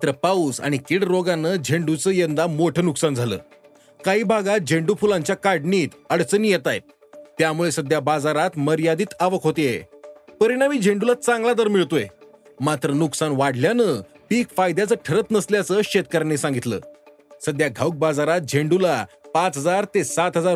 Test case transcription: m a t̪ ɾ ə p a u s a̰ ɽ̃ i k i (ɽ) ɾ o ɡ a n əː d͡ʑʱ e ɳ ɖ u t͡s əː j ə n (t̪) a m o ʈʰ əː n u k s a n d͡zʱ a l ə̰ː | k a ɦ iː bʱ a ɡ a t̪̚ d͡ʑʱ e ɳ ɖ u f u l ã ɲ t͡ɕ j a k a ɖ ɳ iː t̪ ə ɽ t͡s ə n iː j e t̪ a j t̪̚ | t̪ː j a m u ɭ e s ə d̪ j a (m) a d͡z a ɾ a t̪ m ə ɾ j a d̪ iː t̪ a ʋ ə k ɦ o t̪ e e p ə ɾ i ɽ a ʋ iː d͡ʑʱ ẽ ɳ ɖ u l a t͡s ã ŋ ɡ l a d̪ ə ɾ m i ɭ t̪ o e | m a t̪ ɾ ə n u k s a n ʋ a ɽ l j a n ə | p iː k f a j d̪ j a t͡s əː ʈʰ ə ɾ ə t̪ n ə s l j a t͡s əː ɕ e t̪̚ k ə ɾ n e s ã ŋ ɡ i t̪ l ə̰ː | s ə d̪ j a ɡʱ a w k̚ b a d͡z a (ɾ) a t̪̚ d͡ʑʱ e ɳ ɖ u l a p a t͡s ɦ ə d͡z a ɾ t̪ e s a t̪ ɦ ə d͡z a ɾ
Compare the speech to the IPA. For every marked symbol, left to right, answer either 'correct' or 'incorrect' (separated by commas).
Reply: correct, incorrect, incorrect, correct